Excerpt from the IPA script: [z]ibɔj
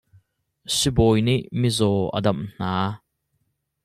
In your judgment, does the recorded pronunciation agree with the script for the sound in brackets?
no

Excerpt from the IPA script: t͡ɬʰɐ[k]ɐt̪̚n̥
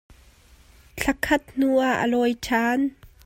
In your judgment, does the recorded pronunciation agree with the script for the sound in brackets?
no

